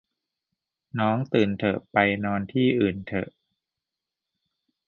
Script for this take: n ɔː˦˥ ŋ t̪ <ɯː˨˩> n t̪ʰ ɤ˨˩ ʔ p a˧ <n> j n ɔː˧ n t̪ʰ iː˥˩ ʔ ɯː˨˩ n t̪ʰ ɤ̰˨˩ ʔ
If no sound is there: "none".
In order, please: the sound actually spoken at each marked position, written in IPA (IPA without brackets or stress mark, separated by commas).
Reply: ɯː˨˩, none